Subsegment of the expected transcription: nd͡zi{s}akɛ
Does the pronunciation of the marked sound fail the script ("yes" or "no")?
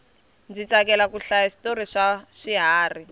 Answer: yes